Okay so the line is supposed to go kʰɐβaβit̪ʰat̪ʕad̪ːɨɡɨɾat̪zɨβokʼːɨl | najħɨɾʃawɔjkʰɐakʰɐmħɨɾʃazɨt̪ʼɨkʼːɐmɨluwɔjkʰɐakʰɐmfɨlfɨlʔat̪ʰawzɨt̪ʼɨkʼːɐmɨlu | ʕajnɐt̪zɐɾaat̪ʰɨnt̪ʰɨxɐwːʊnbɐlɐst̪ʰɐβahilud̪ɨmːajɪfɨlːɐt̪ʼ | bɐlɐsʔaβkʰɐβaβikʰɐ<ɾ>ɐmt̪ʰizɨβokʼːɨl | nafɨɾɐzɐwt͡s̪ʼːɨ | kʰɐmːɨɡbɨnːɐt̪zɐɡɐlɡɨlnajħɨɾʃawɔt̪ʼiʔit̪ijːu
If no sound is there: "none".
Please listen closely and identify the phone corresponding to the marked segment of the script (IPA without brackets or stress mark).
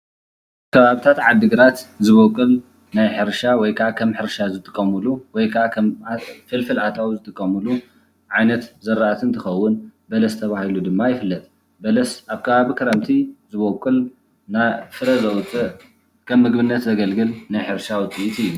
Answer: ɾ